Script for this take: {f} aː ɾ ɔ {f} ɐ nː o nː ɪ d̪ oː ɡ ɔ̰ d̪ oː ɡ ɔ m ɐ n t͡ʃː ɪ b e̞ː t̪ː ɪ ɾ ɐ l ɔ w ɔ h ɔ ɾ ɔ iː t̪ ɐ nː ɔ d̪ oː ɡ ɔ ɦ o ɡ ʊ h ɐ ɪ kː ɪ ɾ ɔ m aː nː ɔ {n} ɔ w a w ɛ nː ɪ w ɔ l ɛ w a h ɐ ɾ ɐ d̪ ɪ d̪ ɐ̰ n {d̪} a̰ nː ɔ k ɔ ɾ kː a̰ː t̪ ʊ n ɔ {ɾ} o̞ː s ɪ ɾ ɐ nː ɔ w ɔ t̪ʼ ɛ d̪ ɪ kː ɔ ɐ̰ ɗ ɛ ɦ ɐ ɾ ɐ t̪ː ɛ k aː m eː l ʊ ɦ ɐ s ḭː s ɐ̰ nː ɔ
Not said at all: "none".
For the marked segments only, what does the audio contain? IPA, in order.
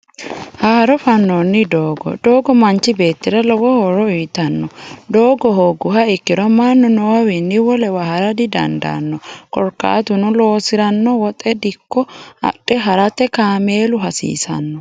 h, f, n, d̪, l

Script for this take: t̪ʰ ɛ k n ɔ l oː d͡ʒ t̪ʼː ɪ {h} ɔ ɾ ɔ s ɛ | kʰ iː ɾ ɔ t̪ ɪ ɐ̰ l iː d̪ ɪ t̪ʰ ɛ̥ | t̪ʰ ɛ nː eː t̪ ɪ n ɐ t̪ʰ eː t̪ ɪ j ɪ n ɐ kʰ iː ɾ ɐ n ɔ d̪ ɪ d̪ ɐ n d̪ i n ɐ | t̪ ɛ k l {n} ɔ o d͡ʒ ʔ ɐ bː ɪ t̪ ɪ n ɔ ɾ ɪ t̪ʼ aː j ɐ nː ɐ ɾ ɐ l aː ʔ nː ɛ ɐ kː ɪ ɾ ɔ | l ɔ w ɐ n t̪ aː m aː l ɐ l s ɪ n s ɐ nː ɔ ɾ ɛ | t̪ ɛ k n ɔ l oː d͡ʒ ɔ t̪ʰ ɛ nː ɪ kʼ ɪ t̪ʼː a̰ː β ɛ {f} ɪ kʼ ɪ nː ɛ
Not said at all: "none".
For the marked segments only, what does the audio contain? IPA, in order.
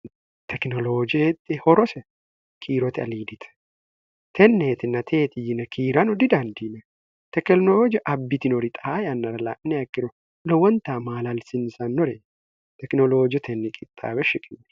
h, n, ʃ

